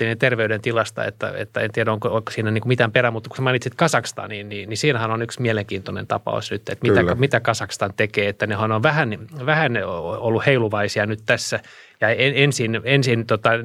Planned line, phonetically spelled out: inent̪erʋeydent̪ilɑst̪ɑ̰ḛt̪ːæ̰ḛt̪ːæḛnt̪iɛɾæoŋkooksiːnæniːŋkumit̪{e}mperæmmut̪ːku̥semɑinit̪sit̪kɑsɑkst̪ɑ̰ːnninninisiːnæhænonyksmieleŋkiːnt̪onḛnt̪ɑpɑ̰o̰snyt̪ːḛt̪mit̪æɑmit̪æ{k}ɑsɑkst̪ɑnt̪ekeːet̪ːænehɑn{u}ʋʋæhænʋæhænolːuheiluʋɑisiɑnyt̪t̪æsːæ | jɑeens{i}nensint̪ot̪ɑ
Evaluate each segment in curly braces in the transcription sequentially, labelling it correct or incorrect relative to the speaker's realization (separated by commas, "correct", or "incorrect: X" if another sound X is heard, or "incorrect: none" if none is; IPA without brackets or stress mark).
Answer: incorrect: æ, correct, incorrect: o, correct